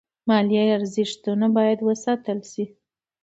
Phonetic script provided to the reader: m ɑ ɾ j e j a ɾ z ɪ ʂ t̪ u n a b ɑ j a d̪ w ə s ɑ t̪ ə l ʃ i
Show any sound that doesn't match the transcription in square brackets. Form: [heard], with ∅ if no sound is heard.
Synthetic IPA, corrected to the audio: m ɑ [l] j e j a ɾ z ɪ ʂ t̪ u n a b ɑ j a d̪ w ə s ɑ t̪ ə l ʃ i